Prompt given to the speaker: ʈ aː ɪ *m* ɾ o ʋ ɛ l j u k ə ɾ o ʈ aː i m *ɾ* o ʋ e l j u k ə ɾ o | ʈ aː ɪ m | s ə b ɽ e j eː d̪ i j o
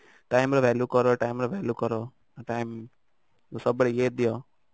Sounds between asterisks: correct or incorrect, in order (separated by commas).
correct, correct